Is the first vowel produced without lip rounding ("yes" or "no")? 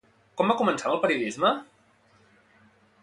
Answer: no